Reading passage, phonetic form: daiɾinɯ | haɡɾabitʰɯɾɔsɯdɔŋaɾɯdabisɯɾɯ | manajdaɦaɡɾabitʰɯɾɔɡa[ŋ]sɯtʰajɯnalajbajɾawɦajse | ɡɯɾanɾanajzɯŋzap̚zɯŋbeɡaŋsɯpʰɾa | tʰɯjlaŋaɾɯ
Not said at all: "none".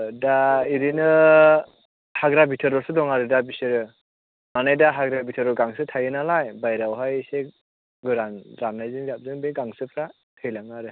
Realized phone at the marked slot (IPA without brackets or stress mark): ŋ